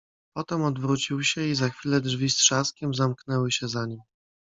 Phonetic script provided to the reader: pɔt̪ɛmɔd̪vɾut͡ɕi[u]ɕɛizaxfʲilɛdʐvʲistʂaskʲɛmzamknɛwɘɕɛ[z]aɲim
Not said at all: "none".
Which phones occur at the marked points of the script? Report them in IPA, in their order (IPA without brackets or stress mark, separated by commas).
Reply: w, z